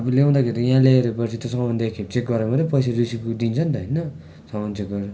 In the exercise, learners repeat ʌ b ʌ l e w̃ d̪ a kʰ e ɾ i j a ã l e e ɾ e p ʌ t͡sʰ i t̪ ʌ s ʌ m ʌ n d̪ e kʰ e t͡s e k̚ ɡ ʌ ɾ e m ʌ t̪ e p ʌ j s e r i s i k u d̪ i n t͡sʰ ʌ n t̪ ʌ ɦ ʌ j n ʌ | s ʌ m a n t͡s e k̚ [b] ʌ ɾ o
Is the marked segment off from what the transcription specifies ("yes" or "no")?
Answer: yes